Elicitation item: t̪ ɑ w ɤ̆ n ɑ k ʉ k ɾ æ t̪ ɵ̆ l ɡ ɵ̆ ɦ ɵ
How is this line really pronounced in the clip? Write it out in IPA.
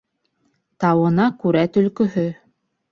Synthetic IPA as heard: t̪ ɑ w ɤ̆ n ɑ k ʉ ɾ æ t̪ ɵ̆ l k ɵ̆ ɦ ɵ